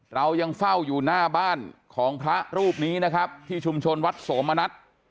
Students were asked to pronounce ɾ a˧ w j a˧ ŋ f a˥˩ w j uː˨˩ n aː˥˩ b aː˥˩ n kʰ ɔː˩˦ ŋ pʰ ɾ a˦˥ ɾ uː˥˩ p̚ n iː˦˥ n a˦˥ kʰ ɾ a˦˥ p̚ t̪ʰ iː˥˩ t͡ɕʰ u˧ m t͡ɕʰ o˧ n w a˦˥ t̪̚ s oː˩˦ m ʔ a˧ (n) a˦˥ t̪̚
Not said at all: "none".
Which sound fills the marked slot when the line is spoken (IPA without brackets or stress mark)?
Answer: n